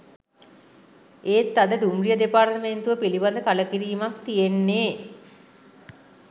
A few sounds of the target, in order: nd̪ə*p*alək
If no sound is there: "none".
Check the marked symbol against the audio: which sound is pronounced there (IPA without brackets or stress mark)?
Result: k